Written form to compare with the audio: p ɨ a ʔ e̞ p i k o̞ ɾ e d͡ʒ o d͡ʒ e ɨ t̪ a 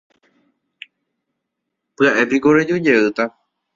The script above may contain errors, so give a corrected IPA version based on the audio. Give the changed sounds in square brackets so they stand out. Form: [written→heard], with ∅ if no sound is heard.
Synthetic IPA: p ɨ a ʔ e̞ p i k o̞ ɾ e d͡ʒ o d͡ʒ e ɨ t̪ a